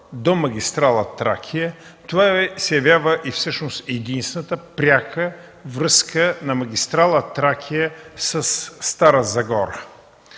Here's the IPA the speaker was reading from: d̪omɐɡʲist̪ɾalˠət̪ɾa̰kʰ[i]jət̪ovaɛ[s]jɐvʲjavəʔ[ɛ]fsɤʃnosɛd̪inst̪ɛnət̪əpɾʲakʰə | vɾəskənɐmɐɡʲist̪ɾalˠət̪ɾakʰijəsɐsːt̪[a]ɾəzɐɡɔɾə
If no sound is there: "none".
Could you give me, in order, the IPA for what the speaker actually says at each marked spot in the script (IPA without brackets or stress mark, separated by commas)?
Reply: i, s, i, a